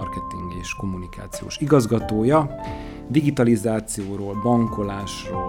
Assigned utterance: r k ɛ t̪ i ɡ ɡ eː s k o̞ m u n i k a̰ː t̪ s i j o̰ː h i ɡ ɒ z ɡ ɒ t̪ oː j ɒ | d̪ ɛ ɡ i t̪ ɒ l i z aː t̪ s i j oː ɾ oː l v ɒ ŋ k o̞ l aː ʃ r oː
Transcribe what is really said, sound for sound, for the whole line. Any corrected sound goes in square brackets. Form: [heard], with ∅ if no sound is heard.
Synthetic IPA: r k ɛ t̪ i [ŋ] ɡ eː [ʃ] k o̞ m u n i k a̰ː t̪ s i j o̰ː [ʃ] i ɡ ɒ z ɡ ɒ t̪ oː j ɒ | d̪ [i] ɡ i t̪ ɒ l i z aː t̪ s i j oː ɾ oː l [b] ɒ ŋ k o̞ l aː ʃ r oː